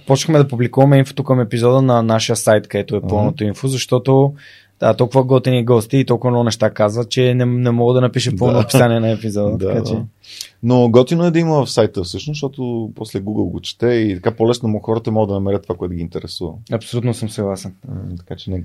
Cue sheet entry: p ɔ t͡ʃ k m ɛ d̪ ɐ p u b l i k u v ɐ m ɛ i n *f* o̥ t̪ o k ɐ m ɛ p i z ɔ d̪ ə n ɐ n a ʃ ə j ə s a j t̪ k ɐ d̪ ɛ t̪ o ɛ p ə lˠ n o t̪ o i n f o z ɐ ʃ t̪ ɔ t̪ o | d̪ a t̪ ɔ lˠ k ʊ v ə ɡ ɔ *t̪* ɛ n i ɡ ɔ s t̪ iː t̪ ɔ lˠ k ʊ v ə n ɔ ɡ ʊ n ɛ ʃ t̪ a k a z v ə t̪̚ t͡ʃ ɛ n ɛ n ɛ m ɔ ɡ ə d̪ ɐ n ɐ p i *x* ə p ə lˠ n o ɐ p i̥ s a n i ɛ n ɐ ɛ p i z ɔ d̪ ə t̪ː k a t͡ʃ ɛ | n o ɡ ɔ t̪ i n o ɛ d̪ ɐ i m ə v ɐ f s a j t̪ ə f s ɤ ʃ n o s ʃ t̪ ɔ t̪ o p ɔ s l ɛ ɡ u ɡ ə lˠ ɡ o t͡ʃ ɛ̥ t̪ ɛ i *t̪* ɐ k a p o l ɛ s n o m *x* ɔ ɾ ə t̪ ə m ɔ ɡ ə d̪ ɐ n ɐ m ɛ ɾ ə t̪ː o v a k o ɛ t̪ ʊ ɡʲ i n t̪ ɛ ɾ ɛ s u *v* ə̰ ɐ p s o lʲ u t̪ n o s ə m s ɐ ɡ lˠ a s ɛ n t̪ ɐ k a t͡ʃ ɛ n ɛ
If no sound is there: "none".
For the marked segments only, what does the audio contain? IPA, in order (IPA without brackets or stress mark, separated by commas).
f, t̪, ʃ, t̪, x, v